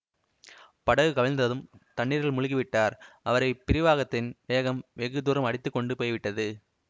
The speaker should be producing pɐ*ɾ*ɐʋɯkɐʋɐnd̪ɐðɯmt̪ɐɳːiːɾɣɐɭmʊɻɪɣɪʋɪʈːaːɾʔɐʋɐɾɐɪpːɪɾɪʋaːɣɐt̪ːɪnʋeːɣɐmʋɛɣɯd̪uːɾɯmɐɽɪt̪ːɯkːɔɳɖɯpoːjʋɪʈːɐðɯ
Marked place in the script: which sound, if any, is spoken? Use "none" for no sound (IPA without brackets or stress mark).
ɽ